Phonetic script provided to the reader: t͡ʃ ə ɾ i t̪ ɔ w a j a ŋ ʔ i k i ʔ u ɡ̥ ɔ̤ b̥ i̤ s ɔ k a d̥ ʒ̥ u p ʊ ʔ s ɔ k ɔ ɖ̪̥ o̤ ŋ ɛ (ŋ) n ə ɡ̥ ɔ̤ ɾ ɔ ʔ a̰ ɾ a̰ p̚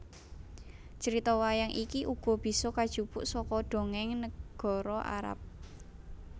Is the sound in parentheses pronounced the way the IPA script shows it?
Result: yes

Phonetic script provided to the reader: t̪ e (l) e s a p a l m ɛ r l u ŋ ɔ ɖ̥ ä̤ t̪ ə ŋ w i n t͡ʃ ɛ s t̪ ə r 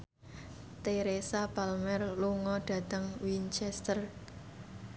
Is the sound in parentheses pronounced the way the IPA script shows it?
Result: no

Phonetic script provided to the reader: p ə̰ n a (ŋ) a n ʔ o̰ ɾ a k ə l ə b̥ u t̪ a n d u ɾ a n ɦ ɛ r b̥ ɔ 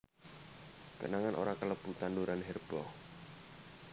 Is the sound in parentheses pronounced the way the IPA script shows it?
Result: yes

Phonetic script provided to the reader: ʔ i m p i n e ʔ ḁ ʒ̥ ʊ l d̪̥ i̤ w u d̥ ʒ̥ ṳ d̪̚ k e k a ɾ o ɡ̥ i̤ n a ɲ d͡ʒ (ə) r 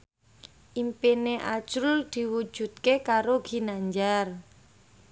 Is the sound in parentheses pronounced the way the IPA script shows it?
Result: no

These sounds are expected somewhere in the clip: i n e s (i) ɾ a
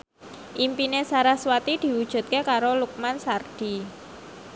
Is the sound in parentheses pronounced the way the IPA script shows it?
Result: no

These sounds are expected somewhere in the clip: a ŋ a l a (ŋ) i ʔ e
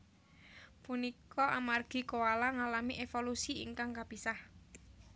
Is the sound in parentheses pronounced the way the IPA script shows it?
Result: no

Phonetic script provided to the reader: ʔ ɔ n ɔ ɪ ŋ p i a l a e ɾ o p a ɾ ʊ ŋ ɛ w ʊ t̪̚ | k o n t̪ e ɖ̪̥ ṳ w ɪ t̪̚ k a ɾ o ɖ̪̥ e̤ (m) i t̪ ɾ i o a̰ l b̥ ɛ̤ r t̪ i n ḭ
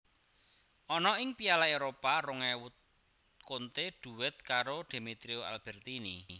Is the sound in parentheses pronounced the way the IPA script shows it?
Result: yes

